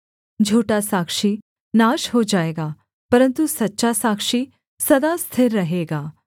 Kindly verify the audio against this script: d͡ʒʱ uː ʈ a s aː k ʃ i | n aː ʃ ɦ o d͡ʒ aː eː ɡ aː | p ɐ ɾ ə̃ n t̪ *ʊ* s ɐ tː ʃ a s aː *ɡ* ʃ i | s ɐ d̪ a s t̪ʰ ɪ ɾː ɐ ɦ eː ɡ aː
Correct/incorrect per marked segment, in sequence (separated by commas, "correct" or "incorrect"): incorrect, incorrect